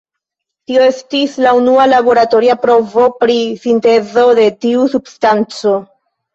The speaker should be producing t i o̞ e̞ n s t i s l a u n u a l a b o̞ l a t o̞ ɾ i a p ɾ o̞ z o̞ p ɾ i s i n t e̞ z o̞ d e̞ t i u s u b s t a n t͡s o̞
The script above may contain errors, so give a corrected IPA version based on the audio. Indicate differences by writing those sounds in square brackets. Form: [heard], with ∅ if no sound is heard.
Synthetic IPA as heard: t i o̞ e̞ [∅] s t i s l a u n u a l a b o̞ [ɾ] a t o̞ ɾ i a p ɾ o̞ [v] o̞ p ɾ i s i n t e̞ z o̞ d e̞ t i u s u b s t a n t͡s o̞